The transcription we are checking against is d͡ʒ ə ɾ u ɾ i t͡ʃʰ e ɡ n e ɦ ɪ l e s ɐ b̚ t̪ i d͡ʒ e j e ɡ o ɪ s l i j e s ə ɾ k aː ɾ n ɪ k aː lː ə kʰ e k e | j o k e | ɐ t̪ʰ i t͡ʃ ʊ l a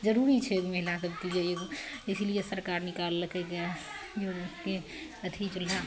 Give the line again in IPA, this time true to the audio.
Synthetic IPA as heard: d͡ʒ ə ɾ u ɾ i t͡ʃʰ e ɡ m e ɦ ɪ l a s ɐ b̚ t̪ i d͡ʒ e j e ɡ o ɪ s l i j e s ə ɾ k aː ɾ n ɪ k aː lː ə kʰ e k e | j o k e | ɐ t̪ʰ i t͡ʃ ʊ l a

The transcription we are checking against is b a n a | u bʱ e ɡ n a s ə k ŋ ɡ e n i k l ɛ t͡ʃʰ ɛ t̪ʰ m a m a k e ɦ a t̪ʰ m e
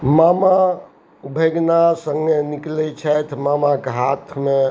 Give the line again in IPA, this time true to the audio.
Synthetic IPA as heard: m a m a | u bʱ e ɡ n a s ə ŋ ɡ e n i k l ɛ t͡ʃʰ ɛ t̪ʰ m a m a k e ɦ a t̪ʰ m e

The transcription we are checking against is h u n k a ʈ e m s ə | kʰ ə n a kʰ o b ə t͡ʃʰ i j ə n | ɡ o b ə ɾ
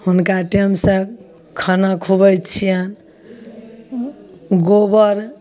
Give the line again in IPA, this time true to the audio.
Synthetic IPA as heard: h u n k a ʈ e m s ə | kʰ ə n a kʰ u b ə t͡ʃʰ i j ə n | ɡ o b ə ɾ

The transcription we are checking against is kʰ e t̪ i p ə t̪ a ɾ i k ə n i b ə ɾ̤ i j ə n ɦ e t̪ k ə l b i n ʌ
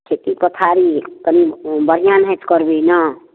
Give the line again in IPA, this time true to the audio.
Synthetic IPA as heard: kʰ e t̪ i p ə t̪ʰ a ɾ i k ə n i b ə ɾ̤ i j a n ɦ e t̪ k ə ɾ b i n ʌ

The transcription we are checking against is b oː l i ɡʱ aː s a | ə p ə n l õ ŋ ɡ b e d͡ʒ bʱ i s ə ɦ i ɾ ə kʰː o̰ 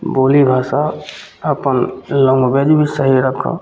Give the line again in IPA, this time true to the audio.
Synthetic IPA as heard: b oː l i bʱ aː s a | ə p ə n l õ ŋ ɡ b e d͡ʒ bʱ i s ə ɦ i ɾ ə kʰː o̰

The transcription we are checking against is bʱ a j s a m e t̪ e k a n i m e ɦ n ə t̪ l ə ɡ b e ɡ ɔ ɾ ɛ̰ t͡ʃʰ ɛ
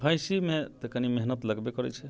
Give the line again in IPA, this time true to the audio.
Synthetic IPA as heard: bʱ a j s i m e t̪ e k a n i m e ɦ n ə t̪ l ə ɡ b e k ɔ ɾ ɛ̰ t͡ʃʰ ɛ

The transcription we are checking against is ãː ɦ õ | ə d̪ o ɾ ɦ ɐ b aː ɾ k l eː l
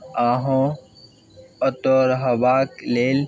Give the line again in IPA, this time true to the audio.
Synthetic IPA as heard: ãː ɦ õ | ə t̪ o ɾ ɦ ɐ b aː k l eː l

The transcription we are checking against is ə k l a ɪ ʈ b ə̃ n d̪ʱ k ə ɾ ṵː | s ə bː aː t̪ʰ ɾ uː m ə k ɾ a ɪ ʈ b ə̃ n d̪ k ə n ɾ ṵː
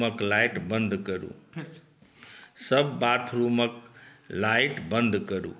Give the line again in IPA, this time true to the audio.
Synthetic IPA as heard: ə k l a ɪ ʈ b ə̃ n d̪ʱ k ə ɾ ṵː | s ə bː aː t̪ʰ ɾ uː m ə k l a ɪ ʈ b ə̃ n d̪ k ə ɾ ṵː

